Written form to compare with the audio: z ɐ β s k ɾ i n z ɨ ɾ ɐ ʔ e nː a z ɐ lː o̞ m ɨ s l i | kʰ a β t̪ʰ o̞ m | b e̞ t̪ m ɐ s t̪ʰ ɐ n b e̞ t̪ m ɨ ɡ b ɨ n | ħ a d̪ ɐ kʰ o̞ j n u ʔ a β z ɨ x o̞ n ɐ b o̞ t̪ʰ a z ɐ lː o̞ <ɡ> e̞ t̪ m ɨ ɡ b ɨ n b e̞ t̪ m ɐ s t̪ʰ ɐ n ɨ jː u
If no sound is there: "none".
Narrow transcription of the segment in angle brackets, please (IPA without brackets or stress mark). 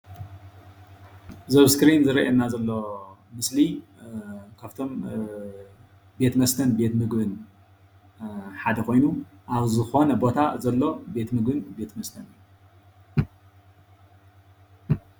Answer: b